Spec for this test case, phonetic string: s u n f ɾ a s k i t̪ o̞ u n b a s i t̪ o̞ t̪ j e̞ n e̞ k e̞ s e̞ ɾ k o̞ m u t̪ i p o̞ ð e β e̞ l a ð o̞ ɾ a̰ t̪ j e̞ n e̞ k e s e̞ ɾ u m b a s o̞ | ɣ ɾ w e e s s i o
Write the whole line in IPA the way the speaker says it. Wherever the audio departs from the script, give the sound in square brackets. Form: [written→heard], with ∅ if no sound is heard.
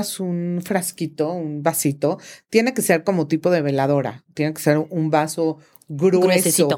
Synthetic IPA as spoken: s u n f ɾ a s k i t̪ o̞ u n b a s i t̪ o̞ t̪ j e̞ n e̞ k e̞ s e̞ ɾ k o̞ m [u→o] t̪ i p o̞ ð e β e̞ l a ð o̞ ɾ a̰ t̪ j e̞ n e̞ k e s e̞ ɾ u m b a s o̞ | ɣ ɾ w e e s s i o